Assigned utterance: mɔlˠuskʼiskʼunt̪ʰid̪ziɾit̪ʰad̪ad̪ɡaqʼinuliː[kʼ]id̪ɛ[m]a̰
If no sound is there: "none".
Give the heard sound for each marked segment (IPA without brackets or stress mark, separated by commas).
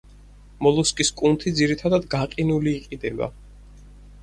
qʼ, b